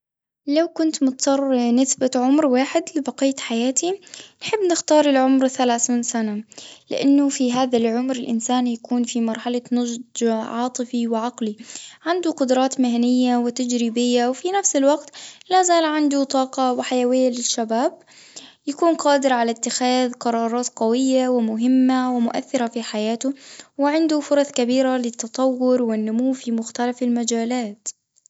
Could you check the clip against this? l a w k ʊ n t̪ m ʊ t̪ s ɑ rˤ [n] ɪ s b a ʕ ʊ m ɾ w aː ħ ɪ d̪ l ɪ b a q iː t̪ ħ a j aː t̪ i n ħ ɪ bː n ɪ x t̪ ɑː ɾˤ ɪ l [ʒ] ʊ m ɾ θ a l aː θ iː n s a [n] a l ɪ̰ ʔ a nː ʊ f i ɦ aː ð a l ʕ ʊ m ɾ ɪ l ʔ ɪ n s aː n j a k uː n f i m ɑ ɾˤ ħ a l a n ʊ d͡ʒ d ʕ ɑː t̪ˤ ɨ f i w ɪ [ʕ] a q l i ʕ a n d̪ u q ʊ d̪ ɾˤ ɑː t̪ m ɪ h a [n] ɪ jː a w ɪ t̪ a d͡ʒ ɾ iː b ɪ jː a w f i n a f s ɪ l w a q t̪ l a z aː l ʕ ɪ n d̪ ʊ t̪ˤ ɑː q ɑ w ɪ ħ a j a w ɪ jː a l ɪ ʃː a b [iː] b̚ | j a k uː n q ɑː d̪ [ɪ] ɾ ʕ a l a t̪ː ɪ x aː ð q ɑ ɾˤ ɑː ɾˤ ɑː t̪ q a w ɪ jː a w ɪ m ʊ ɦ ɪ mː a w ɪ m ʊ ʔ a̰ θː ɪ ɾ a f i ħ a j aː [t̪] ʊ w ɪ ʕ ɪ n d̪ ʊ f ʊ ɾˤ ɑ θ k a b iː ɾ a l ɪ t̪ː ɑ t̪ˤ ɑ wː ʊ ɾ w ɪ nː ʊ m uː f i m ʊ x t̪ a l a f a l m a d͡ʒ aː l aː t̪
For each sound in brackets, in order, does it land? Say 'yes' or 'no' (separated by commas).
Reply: yes, no, yes, yes, yes, no, yes, yes